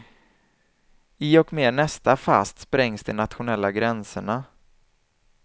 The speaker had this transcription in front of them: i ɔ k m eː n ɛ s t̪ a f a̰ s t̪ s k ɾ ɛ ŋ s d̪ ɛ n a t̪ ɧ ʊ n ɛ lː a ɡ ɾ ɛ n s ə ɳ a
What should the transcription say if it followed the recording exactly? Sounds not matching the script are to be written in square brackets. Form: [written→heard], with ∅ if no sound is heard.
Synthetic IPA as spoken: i ɔ k m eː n ɛ s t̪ a f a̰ s t̪ s [k→p] ɾ ɛ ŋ s d̪ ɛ n a t̪ ɧ ʊ n ɛ lː a ɡ ɾ ɛ n s ə ɳ a